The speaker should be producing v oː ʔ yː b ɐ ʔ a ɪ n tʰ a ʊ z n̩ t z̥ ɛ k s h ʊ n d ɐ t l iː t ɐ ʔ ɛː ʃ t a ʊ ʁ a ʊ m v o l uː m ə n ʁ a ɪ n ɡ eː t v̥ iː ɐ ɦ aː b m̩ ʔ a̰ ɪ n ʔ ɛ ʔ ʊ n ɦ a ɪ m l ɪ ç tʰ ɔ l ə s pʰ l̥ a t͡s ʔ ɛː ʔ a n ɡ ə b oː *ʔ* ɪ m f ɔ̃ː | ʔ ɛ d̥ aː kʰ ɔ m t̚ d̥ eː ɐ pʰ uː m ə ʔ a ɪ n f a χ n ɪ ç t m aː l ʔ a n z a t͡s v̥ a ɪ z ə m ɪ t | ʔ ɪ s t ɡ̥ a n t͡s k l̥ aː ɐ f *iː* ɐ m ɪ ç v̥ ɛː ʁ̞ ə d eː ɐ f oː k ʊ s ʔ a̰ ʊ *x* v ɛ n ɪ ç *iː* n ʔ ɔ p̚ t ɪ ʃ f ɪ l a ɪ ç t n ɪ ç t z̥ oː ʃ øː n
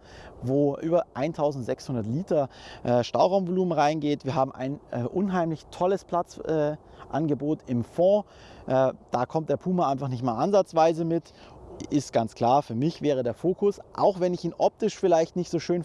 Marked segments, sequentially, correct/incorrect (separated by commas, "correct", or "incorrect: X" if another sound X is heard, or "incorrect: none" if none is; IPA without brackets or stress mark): incorrect: t, incorrect: yː, correct, correct